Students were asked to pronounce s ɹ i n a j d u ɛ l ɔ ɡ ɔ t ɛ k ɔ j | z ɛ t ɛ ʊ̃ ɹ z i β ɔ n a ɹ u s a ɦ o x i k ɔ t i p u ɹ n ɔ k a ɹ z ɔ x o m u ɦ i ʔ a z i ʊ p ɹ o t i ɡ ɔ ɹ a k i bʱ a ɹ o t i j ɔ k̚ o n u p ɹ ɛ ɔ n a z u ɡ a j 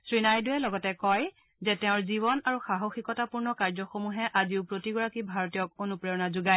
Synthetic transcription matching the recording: s ɹ i n a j d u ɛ l ɔ ɡ ɔ t ɛ k ɔ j | z ɛ t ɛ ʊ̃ ɹ z i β ɔ n a ɹ u x a ɦ o x i k ɔ t a p u ɹ n ɔ k a ɹ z ɔ x o m u ɦ ɛ ʔ a z i ʊ p ɹ o t i ɡ ɔ ɹ a k i bʱ a ɹ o t i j ɔ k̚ o n u p ɹ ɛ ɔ n a z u ɡ a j